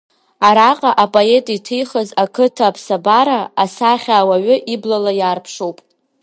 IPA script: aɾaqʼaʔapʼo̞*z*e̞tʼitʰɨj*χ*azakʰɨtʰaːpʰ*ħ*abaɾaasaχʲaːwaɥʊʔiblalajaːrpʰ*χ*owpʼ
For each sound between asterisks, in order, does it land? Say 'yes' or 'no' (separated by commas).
no, yes, no, no